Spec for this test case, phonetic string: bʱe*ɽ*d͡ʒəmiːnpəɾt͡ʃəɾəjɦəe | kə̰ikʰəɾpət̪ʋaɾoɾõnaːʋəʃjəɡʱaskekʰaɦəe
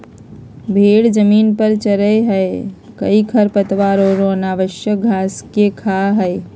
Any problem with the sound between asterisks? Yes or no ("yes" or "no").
no